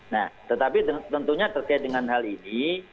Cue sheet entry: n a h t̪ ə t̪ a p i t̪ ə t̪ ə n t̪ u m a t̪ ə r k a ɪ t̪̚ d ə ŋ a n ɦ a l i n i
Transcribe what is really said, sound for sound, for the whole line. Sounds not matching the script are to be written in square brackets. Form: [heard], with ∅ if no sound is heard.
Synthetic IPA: n a h t̪ ə t̪ a p i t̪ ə t̪ ə n t̪ u [ɲ] a t̪ ə r k a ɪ t̪̚ d ə ŋ a n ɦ a l i n i